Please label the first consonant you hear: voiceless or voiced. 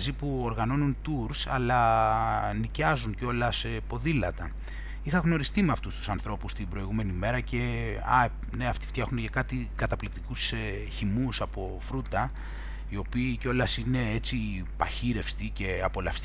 voiced